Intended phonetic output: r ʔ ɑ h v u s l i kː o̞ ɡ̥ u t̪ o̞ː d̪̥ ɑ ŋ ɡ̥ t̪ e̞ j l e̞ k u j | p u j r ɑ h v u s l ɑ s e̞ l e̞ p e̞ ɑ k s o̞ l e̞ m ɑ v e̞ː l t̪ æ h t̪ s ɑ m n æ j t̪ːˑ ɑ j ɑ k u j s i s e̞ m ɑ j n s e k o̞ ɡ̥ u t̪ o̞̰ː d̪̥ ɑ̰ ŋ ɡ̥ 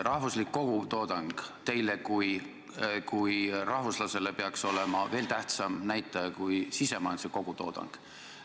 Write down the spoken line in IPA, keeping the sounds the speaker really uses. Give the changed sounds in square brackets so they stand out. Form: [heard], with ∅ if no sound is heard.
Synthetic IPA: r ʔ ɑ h v u s l i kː o̞ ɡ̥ u t̪ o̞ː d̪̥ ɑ ŋ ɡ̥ t̪ e̞ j l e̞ k u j | [k] u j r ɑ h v u s l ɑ s e̞ l e̞ p e̞ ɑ k s o̞ l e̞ m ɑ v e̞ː l t̪ æ h t̪ s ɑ m n æ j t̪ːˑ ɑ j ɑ k u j s i s e̞ m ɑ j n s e k o̞ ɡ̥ u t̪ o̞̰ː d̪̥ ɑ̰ ŋ ɡ̥